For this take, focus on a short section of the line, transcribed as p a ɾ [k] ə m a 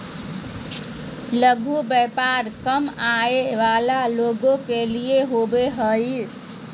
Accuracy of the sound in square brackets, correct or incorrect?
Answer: correct